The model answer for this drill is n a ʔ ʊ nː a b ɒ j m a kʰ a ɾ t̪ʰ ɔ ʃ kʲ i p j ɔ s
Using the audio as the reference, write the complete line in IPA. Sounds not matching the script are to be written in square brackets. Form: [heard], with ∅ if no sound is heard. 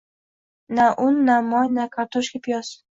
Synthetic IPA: n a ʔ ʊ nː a [m] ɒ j [n] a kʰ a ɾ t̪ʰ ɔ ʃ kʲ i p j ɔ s